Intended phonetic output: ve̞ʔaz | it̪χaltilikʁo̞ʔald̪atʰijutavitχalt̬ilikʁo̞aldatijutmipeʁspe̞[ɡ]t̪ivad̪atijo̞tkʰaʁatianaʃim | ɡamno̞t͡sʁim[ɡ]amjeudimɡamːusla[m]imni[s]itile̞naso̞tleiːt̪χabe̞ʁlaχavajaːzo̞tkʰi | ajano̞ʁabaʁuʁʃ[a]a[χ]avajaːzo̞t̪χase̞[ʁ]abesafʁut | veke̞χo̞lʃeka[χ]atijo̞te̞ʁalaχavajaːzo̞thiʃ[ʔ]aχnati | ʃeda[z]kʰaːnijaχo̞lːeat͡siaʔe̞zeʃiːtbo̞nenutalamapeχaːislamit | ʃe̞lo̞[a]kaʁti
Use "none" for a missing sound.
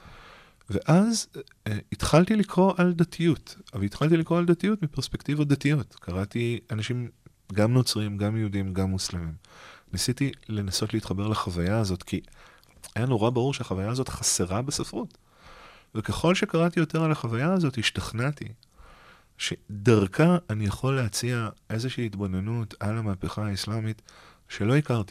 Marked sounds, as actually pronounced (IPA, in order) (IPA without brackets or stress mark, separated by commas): k, ɡ, m, s, e, χ, ʁ, ʁ, t, ʁ, i